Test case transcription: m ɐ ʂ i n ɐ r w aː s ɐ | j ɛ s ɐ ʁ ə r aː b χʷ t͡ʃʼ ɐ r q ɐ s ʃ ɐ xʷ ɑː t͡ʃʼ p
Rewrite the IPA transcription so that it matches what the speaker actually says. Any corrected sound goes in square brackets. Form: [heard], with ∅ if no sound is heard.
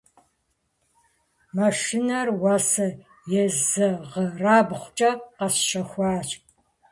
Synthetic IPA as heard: m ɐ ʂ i n ɐ r w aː s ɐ | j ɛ [z] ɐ ʁ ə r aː b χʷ t͡ʃʼ ɐ [∅] q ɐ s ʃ ɐ xʷ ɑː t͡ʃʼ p